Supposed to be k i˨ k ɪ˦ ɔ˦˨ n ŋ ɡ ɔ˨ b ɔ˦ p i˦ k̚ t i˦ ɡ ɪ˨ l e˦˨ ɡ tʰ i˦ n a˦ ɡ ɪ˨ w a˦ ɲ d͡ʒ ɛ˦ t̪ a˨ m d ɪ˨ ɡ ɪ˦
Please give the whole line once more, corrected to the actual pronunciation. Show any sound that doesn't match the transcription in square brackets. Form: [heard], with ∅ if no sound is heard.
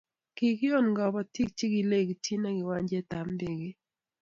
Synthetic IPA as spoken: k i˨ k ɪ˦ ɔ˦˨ n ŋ ɡ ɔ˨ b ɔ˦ [t] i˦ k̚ [t͡ʃ] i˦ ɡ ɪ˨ l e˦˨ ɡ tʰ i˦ n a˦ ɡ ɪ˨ w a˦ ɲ d͡ʒ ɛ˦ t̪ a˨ m d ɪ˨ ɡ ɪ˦